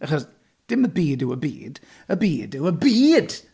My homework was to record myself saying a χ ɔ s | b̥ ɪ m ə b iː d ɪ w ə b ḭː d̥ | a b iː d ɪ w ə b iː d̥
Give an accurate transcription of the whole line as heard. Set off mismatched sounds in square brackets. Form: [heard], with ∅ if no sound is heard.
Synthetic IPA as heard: a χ ɔ s | [d̥] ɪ m ə b iː d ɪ w ə b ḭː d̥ | [ə] b iː d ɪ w ə b iː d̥